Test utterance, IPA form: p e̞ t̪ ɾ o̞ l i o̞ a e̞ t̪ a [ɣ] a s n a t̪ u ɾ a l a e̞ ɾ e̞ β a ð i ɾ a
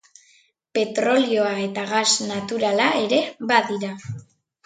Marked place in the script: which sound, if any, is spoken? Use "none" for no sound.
ɣ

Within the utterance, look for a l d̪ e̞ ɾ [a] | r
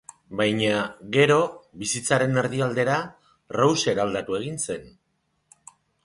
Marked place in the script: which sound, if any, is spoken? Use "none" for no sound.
a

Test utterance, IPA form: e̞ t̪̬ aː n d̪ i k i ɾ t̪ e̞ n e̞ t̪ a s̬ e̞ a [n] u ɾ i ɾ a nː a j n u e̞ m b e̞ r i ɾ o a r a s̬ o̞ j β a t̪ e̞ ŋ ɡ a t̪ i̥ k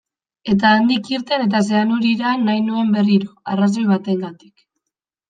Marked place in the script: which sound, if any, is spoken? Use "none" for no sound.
n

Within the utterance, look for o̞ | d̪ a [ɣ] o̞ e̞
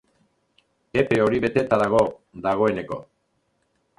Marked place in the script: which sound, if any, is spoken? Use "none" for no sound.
ɣ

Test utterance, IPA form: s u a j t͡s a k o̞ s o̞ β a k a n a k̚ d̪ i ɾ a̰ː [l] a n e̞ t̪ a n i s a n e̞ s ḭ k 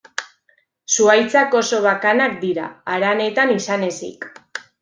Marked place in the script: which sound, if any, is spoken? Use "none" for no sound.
ɾ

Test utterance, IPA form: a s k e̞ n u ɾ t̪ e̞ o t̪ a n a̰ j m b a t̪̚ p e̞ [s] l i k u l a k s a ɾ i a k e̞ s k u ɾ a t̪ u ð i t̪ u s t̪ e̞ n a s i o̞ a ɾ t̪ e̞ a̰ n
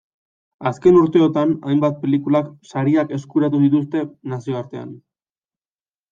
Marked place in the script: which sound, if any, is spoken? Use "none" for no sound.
none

